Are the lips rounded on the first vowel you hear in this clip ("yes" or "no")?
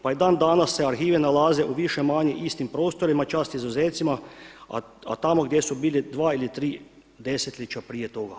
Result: no